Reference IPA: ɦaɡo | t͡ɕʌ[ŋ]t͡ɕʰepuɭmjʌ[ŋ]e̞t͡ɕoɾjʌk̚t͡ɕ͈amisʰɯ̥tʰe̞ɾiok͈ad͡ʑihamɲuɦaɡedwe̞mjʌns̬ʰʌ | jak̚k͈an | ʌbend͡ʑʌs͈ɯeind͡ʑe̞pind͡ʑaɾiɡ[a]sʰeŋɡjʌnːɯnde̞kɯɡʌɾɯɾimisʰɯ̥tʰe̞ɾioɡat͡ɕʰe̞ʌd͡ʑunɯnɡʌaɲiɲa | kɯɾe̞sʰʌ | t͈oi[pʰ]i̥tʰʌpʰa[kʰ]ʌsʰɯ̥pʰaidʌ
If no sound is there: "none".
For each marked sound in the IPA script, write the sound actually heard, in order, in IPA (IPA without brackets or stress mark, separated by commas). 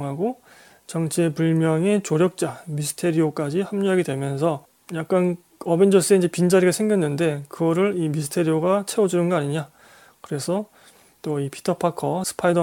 ŋ, ŋ, a, pʰ, kʰ